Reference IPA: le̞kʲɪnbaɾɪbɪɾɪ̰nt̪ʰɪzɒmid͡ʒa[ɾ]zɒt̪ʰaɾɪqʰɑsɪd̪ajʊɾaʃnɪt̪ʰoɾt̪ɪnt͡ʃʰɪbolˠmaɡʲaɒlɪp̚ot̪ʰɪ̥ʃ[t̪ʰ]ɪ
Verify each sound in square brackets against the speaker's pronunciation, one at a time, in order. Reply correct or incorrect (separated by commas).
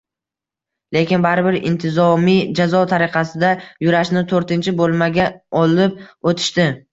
incorrect, incorrect